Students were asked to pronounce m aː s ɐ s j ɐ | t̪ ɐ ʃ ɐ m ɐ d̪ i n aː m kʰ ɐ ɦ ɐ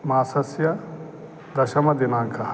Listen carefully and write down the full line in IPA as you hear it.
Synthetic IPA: m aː s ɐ s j ɐ | d̪ ɐ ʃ ɐ m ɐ d̪ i n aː ŋ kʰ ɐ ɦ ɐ